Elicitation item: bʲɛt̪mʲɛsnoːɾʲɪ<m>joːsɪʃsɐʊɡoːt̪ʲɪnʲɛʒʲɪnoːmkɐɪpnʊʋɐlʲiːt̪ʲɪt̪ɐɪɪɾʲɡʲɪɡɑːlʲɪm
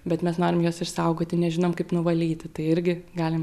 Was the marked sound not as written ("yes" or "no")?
no